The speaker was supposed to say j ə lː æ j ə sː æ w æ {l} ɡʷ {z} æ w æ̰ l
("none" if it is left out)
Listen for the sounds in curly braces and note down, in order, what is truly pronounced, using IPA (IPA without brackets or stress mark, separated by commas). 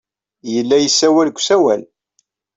l, s